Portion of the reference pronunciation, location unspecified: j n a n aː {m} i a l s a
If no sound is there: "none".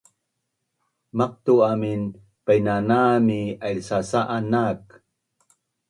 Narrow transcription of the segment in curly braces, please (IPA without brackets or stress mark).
m